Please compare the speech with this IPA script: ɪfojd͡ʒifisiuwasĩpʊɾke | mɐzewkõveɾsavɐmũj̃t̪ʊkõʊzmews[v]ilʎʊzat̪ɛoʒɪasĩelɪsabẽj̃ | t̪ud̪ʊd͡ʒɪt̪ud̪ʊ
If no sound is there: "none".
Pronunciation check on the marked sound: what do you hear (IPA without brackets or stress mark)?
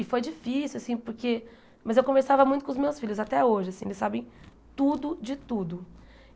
f